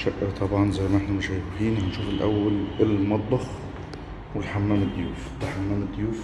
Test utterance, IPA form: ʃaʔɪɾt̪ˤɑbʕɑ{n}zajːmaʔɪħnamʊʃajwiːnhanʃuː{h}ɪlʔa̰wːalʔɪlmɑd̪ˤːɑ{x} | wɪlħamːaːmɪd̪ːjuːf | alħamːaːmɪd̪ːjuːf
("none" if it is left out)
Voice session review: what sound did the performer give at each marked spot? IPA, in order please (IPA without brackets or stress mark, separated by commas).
n, f, x